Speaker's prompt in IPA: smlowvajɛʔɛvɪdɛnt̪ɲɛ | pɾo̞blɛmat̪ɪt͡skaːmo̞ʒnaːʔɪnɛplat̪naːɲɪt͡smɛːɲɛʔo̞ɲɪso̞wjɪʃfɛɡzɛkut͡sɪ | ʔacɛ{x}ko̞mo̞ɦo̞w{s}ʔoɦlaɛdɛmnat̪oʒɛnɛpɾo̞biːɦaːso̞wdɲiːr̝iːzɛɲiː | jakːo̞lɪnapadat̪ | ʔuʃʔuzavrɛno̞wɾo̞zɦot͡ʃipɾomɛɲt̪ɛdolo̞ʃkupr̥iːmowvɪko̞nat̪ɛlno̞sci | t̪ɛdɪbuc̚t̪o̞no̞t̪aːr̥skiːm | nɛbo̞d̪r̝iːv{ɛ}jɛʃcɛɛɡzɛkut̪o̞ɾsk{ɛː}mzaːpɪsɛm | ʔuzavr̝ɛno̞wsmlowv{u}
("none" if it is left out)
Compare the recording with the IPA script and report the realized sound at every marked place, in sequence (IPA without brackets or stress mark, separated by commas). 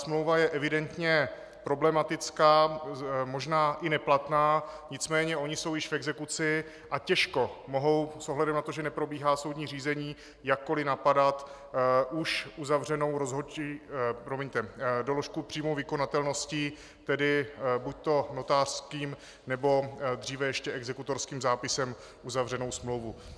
ʃ, s, ɛ, iː, u